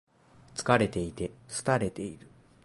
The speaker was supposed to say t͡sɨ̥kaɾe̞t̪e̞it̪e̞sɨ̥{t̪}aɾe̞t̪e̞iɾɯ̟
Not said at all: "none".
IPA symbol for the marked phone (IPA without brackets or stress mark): t̪